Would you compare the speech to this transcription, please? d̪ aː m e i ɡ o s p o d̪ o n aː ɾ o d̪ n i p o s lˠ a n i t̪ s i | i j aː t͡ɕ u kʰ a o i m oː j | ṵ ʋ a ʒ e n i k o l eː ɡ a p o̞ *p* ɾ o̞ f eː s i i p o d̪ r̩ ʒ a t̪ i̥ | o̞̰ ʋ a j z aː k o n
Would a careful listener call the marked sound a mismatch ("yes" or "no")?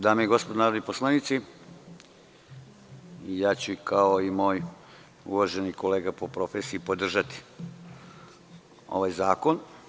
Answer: no